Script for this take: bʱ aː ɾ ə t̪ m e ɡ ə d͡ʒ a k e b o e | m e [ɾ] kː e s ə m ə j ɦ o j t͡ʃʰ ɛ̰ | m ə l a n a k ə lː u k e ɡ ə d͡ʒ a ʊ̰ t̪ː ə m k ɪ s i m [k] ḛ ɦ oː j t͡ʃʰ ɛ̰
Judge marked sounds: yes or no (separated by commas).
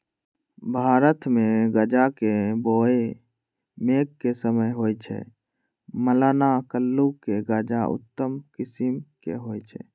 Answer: no, yes